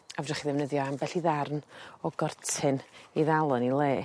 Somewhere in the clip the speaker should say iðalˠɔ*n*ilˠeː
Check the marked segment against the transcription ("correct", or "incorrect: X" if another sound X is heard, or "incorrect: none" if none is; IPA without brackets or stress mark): correct